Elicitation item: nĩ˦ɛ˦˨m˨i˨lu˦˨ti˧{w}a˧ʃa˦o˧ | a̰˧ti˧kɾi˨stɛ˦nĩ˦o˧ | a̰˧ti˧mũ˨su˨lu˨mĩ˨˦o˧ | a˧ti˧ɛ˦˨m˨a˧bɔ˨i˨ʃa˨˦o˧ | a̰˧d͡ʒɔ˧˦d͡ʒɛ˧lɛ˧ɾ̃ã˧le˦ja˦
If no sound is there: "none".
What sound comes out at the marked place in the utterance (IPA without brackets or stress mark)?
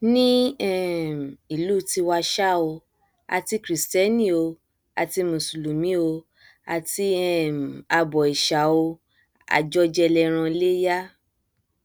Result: w